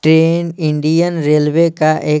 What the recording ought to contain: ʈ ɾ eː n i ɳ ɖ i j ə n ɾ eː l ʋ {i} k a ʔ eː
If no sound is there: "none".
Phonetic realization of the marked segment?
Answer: e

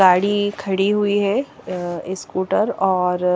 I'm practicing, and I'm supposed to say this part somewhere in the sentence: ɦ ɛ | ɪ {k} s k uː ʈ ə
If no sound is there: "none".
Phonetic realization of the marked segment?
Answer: none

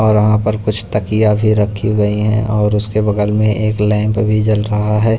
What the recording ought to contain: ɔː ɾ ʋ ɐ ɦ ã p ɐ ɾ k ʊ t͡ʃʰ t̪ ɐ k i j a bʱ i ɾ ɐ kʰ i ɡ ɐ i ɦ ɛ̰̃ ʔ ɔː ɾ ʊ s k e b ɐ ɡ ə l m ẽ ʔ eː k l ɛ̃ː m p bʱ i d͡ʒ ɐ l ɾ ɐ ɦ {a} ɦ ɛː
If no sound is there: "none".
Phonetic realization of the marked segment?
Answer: a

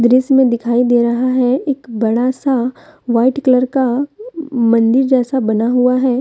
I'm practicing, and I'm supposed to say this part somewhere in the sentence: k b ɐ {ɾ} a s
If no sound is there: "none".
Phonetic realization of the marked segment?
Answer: ɽ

